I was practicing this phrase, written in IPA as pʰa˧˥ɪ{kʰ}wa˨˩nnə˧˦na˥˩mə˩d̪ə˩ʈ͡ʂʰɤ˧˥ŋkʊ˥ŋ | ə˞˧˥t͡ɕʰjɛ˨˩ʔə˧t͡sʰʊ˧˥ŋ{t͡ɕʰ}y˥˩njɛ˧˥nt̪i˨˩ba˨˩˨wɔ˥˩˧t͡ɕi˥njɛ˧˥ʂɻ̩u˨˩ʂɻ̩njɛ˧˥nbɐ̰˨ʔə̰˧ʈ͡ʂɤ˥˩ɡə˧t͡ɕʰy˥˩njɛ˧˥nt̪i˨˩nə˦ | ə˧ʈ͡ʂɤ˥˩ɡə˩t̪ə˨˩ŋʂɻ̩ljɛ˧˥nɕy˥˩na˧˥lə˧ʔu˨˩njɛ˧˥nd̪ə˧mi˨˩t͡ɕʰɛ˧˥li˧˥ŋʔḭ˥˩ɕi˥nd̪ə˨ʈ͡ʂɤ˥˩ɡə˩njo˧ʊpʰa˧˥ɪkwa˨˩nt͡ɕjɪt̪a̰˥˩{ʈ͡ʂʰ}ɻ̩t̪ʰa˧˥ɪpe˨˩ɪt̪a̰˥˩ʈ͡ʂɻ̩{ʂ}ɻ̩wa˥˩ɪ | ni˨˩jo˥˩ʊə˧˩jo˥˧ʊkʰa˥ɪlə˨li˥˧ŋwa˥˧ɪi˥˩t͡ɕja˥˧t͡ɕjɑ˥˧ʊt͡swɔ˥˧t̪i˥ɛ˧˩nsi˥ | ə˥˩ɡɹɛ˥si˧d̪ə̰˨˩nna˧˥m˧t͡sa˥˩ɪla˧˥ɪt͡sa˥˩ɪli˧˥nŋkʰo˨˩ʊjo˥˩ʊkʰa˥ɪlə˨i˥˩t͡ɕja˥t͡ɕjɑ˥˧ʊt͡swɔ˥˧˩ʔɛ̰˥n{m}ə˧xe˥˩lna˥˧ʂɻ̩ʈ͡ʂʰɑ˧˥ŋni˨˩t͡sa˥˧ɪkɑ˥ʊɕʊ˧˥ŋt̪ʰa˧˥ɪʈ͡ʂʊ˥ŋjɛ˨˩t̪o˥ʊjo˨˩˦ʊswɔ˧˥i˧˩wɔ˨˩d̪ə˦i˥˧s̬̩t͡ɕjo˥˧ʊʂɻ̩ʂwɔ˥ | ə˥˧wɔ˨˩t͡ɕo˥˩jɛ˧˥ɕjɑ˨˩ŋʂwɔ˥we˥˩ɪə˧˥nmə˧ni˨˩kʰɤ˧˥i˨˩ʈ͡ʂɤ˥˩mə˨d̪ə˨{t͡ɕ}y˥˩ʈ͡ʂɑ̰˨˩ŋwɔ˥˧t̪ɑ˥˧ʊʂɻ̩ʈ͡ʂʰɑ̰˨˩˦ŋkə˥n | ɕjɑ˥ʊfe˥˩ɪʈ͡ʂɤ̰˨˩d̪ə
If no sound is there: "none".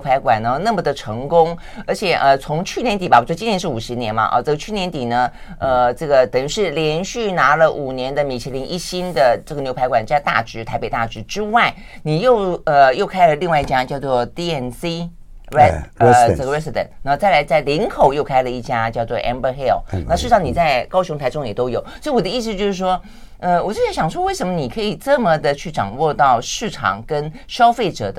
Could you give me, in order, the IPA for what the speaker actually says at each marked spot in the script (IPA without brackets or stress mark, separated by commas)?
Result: k, t͡ɕʰ, ʈ͡ʂ, ʈ͡ʂ, b, t͡ɕʰ